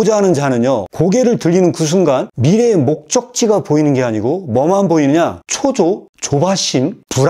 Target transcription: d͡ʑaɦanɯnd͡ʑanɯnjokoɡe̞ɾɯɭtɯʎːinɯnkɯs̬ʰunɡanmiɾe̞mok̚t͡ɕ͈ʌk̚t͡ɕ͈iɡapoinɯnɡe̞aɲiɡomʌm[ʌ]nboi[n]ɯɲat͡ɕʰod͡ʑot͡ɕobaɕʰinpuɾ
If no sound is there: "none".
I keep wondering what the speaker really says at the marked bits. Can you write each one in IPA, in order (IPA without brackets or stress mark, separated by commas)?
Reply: a, n